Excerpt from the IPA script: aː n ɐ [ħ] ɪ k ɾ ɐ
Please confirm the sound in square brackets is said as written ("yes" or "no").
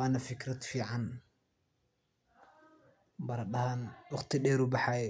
no